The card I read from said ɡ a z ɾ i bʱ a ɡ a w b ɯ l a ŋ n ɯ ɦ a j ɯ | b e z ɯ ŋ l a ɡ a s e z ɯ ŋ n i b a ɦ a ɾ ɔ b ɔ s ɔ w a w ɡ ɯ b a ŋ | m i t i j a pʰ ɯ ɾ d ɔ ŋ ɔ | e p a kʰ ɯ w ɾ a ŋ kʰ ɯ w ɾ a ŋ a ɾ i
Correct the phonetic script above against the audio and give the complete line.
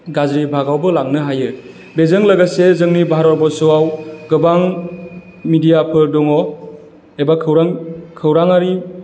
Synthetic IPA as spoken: ɡ a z ɾ i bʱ a ɡ a w b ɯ l a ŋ n ɯ ɦ a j ɯ | b e z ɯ ŋ l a ɡ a s e z ɯ ŋ n i b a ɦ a ɾ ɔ b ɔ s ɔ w a w ɡ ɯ b a ŋ | m i d i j a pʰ ɯ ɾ d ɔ ŋ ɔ | e b a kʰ ɯ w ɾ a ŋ kʰ ɯ w ɾ a ŋ a ɾ i